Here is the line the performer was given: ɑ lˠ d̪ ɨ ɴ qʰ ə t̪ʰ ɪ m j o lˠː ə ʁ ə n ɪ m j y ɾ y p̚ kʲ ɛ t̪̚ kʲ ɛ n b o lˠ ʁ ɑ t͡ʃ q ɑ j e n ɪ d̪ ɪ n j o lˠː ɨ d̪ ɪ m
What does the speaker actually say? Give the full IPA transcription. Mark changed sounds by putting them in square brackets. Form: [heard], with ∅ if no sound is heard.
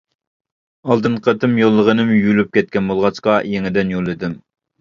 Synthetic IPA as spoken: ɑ lˠ d̪ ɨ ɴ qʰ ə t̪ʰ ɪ m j o lˠː ə ʁ ə n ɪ m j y [l] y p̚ kʲ ɛ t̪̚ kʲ ɛ n b o lˠ ʁ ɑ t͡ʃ q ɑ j e [ŋ] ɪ d̪ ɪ n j o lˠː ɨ d̪ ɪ m